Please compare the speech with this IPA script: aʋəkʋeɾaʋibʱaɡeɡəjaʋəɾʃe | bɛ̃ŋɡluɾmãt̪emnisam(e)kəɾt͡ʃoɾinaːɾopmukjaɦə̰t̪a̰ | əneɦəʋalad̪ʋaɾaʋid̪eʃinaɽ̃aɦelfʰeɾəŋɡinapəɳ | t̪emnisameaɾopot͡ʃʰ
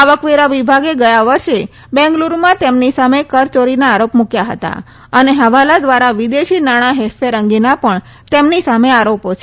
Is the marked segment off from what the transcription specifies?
no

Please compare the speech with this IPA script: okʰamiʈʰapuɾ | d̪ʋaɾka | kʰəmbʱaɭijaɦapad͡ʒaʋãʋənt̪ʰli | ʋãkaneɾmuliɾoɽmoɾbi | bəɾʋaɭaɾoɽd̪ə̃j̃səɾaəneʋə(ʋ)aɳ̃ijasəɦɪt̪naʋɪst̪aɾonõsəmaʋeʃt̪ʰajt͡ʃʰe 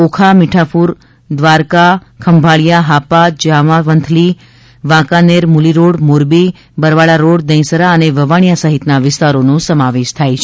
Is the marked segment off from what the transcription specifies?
no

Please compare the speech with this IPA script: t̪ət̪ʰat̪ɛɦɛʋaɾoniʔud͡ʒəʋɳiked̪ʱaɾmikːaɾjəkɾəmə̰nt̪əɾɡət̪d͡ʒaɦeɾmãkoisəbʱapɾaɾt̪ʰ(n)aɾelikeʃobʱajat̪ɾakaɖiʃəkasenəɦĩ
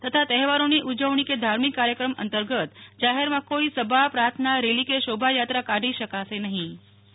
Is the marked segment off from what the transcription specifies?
no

